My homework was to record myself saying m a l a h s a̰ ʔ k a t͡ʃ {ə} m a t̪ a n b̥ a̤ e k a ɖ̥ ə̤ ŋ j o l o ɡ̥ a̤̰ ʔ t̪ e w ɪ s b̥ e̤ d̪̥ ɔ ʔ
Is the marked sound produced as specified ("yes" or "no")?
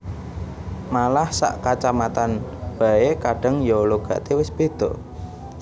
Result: no